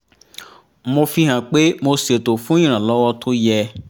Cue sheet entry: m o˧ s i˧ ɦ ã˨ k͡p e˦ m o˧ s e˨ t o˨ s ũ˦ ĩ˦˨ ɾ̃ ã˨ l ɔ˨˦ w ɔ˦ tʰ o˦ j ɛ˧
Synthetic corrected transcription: m o˧ f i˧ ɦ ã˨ k͡p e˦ m o˧ s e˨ t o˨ f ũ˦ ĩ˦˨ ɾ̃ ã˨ l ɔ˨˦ w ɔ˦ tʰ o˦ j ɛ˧